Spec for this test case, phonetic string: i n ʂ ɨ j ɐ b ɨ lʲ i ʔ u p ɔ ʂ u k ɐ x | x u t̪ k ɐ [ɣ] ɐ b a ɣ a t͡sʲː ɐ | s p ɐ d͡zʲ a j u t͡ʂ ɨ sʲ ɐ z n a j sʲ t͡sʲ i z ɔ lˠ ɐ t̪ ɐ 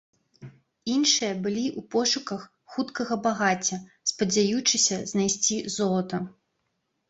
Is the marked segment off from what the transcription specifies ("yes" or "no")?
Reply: no